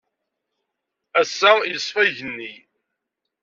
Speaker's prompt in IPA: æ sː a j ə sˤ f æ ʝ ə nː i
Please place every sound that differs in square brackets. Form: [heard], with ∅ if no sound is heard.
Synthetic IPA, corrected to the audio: æ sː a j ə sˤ f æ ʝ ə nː i